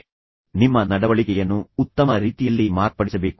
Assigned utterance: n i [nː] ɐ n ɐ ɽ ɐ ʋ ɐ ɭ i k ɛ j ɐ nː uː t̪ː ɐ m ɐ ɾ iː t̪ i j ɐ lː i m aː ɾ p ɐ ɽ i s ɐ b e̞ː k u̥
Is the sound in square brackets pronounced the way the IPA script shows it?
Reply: no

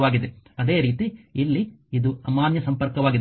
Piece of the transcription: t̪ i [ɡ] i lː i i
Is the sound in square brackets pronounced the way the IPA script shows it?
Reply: no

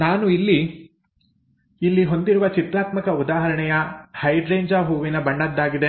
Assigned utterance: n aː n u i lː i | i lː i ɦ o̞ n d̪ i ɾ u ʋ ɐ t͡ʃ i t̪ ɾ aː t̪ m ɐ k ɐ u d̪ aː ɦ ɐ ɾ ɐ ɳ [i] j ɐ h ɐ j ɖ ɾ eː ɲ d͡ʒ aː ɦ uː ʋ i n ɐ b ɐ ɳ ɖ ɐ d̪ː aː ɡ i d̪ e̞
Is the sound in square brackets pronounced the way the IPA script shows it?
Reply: no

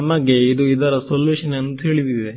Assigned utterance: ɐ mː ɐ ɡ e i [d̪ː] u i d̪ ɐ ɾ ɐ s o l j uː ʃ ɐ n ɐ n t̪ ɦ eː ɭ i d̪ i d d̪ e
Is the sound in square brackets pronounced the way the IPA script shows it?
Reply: no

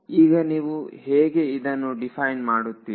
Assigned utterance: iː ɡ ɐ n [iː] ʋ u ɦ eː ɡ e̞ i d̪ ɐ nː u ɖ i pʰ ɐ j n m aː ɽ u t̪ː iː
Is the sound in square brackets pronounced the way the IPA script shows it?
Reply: yes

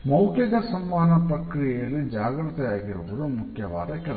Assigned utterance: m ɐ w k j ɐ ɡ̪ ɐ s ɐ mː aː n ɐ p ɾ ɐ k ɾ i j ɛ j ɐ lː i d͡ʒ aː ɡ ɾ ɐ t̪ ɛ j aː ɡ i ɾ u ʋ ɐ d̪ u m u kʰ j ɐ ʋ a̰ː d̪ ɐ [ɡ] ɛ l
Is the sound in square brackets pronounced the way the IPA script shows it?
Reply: no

